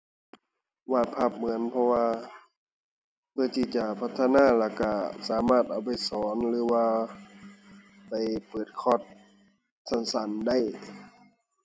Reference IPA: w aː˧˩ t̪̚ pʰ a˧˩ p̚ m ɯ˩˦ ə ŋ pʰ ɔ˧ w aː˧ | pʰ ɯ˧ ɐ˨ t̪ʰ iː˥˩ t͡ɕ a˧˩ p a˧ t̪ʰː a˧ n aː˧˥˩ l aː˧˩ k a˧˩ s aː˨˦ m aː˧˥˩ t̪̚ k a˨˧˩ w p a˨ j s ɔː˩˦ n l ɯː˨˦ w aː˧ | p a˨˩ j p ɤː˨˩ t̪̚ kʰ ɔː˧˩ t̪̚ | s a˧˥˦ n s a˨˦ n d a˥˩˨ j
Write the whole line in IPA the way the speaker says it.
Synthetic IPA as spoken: w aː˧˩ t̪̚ pʰ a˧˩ p̚ m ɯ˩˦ ə n pʰ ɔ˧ w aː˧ | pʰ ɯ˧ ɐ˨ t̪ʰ iː˧˩ t͡ɕ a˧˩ pʰ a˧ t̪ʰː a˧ n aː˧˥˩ l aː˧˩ k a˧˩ s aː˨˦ m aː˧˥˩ t̪̚ ʔ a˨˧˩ w p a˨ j s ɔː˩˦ n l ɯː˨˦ w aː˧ | p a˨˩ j p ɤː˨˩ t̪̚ kʰ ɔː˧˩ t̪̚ | s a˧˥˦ n s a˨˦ n d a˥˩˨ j